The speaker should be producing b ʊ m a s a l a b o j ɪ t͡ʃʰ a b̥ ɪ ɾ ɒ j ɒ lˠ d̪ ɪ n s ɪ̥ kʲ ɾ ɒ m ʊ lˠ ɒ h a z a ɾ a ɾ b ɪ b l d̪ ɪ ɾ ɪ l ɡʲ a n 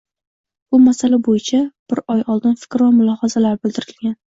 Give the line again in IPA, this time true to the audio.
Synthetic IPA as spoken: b ʊ m a s a l a b o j ɪ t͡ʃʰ a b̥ ɪ ɾ ɒ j ɒ lˠ d̪ ɪ n f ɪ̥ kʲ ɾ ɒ m ʊ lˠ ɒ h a z a l a ɾ b ɪ l d̪ ɪ ɾ ɪ l ɡʲ a n